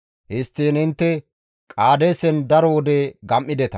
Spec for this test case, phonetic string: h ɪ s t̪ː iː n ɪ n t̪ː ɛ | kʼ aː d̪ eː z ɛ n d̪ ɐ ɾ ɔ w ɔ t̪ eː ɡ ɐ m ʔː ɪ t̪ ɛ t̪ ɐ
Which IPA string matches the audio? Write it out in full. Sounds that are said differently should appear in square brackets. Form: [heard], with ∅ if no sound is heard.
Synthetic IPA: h ɪ s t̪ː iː n ɪ n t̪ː ɛ | kʼ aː d̪ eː [s] ɛ n d̪ ɐ ɾ ɔ w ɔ [d̪] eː ɡ ɐ m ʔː ɪ [d̪] ɛ t̪ ɐ

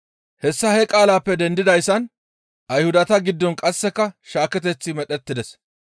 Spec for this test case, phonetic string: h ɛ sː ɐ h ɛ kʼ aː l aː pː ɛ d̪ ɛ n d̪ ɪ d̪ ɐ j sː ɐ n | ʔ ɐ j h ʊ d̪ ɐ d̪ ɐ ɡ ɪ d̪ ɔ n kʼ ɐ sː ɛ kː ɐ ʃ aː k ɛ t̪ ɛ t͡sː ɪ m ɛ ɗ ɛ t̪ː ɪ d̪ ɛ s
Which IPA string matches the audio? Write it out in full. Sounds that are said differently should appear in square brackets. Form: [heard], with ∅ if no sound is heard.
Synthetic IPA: h ɛ sː ɐ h ɛ kʼ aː l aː pː ɛ d̪ ɛ n d̪ ɪ d̪ ɐ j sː ɐ n | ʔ ɐ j h ʊ d̪ ɐ [t̪] ɐ ɡ ɪ [d̪ː] ɔ n kʼ ɐ sː ɛ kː ɐ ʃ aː k ɛ t̪ ɛ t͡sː ɪ m ɛ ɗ ɛ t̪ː ɪ d̪ ɛ s

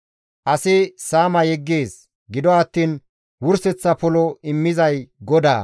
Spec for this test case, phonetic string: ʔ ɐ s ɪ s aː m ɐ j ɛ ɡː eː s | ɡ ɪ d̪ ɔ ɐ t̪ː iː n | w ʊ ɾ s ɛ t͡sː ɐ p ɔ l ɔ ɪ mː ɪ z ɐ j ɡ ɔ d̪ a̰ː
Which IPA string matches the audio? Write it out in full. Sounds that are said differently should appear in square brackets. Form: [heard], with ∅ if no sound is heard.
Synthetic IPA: ʔ ɐ s ɪ s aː m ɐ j ɛ ɡː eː s | ɡ ɪ d̪ ɔ ɐ t̪ː iː n | w ʊ ɾ s ɛ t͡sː ɐ p ɔ l ɔ ɪ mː ɪ z ɐ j ɡ ɔ d̪ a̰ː

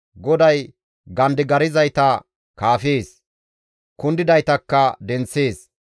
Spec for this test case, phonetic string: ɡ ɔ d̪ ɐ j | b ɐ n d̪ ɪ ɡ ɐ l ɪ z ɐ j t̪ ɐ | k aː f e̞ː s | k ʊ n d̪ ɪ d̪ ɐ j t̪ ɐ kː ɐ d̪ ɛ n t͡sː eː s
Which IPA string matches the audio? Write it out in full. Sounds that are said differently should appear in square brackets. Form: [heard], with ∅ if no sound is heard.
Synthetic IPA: ɡ ɔ d̪ ɐ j | [ɡ] ɐ n d̪ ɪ ɡ ɐ [ɾ] ɪ z ɐ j t̪ ɐ | k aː f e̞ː s | k ʊ n d̪ ɪ d̪ ɐ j t̪ ɐ kː ɐ d̪ ɛ n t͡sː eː s

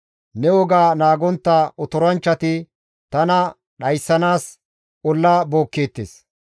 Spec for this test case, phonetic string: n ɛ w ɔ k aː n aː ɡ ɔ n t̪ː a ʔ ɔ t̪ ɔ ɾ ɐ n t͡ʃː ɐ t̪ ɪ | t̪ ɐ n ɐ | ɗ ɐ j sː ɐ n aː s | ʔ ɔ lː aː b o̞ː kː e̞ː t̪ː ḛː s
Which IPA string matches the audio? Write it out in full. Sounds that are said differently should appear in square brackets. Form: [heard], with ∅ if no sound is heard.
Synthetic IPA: n ɛ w ɔ [ɡ] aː n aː ɡ ɔ n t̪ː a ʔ ɔ t̪ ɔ ɾ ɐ n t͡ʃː ɐ t̪ ɪ | t̪ ɐ n ɐ | ɗ ɐ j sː ɐ n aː s | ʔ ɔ lː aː b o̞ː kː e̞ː t̪ː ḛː s

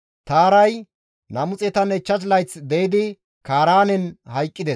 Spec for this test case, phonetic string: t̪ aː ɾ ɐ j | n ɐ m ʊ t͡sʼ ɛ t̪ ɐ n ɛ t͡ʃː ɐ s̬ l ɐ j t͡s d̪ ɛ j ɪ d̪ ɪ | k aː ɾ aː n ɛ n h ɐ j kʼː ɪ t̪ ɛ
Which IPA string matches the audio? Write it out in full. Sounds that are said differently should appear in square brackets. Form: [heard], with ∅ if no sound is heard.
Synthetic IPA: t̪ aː ɾ ɐ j | n ɐ m ʊ t͡sʼ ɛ t̪ ɐ n ɛ t͡ʃː ɐ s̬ l ɐ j t͡s d̪ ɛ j ɪ d̪ ɪ | k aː ɾ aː n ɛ n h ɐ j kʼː ɪ [d̪] ɛ

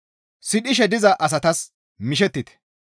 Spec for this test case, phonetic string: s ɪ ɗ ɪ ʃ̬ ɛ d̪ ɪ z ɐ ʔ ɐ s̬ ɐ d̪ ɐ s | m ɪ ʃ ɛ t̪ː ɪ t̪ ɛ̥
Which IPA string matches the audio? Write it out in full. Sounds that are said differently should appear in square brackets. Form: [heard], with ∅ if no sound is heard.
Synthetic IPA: s ɪ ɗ ɪ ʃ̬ ɛ d̪ ɪ z ɐ ʔ ɐ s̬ ɐ [t̪] ɐ s | m ɪ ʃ ɛ t̪ː ɪ t̪ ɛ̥

